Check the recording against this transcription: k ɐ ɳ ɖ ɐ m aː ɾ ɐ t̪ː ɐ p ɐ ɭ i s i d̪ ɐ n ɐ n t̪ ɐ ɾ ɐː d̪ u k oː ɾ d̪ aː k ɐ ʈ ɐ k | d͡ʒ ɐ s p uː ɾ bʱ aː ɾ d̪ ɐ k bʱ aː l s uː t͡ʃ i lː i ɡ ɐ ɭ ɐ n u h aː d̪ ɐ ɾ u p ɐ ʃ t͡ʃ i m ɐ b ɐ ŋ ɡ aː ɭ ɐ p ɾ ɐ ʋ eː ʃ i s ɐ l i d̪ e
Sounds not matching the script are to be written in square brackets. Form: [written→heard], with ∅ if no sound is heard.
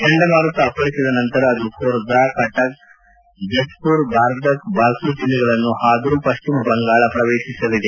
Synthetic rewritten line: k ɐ ɳ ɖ ɐ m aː ɾ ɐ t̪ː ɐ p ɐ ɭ i s i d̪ ɐ n ɐ n t̪ ɐ ɾ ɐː d̪ u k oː ɾ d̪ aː k ɐ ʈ ɐ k | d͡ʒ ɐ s p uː ɾ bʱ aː ɾ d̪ ɐ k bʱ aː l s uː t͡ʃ i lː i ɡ ɐ ɭ ɐ [n→nː] u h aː d̪ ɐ ɾ u p ɐ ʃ t͡ʃ i m ɐ b ɐ ŋ ɡ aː ɭ ɐ p ɾ ɐ ʋ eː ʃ i s ɐ l i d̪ e